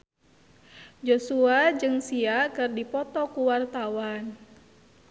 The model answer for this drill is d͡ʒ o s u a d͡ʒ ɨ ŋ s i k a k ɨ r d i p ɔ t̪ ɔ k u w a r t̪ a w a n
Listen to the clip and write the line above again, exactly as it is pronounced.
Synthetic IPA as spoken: d͡ʒ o s u a d͡ʒ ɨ ŋ s i a k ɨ r d i p ɔ t̪ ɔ k u w a r t̪ a w a n